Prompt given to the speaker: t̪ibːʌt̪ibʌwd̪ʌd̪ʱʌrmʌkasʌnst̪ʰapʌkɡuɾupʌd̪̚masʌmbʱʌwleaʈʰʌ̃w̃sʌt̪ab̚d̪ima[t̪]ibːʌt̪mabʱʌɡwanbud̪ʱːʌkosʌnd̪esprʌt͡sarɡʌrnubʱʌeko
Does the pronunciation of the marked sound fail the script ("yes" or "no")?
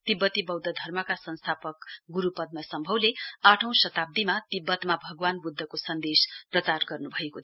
no